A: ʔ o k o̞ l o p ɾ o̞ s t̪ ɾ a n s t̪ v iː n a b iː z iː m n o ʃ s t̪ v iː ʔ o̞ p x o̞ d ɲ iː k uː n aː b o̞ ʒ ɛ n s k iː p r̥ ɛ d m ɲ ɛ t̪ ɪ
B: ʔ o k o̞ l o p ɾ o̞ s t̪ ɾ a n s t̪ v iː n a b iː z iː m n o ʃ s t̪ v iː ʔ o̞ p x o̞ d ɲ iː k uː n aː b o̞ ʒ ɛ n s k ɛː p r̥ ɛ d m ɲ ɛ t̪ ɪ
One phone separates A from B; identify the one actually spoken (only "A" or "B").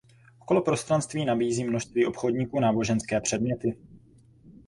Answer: B